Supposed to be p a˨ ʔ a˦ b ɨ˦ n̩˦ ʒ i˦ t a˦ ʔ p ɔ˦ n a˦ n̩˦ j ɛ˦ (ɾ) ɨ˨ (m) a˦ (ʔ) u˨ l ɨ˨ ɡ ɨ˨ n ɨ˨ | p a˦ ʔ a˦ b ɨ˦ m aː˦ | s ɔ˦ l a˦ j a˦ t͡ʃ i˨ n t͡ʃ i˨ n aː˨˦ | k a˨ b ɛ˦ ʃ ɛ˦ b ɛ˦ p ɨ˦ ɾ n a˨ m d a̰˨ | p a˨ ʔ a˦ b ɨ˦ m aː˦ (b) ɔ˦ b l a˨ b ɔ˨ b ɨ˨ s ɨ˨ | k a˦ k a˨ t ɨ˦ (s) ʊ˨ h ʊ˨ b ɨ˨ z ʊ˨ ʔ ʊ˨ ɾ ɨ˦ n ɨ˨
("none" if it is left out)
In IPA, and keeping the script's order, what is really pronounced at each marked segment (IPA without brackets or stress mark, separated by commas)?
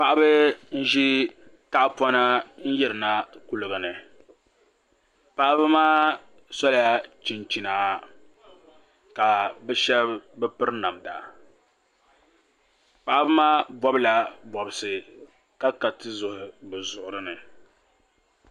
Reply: ɾ, n, k, b, z